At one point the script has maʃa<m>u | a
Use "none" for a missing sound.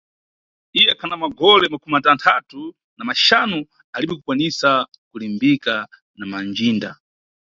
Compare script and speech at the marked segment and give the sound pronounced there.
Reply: n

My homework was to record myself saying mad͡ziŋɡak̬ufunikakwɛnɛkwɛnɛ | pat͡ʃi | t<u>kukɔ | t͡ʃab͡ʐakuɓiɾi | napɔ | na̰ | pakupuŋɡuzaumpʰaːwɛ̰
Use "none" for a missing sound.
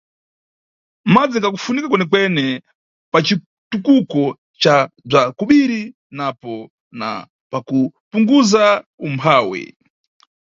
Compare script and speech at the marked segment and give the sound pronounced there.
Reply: u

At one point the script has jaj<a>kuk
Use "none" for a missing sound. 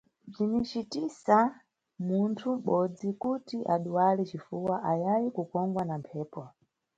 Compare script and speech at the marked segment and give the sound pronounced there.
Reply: i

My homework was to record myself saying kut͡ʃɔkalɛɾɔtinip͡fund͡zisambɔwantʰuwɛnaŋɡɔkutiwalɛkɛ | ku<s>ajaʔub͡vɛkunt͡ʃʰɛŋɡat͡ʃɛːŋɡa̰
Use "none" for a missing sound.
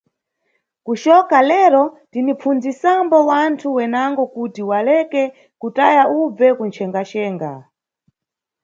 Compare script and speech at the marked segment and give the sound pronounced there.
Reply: t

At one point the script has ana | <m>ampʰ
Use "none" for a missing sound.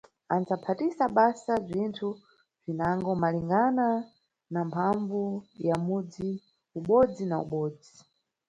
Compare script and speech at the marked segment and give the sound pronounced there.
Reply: n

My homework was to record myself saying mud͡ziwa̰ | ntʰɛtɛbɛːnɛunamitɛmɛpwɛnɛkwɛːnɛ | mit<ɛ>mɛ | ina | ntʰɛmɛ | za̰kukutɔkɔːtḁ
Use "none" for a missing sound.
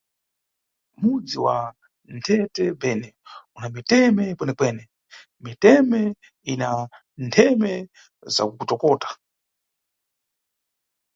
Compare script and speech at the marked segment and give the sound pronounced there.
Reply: ɛ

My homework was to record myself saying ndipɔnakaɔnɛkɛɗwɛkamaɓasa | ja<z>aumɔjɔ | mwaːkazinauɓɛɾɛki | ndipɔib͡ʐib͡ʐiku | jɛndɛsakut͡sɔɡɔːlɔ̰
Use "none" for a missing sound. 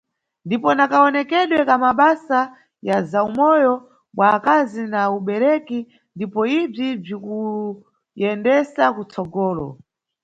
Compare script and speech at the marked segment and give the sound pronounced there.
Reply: z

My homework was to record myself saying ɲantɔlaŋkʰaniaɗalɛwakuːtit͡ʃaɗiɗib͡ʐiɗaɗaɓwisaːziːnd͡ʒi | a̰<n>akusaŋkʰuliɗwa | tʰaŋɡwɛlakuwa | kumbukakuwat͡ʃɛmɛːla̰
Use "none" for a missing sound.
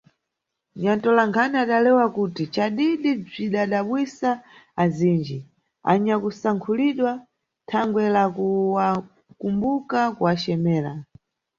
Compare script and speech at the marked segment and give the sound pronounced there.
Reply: ɲ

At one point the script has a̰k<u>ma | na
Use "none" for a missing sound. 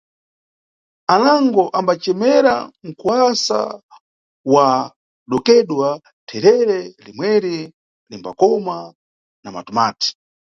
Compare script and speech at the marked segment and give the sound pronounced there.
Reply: ɔ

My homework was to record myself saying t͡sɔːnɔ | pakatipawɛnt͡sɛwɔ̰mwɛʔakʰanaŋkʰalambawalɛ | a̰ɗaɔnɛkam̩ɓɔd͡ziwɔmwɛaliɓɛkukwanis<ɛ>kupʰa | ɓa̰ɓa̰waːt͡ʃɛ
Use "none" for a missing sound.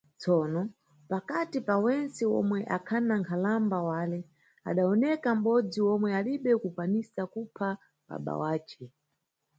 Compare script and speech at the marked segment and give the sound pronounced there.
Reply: a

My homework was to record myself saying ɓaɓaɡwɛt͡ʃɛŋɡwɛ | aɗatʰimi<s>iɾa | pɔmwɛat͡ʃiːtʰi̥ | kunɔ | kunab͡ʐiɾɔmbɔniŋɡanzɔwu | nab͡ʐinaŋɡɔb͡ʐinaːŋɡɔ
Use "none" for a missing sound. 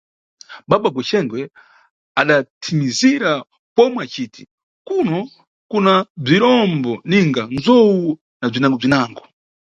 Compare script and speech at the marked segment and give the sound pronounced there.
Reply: z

